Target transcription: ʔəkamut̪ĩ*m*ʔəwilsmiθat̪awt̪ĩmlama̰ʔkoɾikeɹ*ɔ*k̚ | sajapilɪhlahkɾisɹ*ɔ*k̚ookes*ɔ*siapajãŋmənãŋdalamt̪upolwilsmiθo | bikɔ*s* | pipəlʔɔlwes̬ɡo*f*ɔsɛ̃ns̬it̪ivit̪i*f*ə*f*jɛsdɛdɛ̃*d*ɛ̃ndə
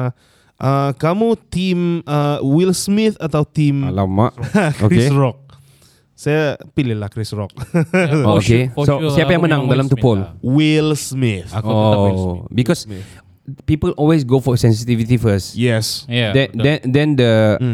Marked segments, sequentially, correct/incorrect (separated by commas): correct, correct, correct, incorrect, correct, correct, correct, incorrect, correct